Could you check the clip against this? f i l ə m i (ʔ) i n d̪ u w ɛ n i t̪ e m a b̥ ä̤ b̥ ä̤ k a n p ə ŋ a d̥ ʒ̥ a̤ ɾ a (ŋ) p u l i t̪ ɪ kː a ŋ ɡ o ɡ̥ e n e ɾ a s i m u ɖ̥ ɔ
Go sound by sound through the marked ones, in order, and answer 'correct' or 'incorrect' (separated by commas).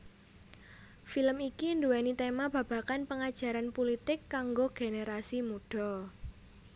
incorrect, incorrect